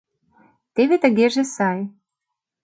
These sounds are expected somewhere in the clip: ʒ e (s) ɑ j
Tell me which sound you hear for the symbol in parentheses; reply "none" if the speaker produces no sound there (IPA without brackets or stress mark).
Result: s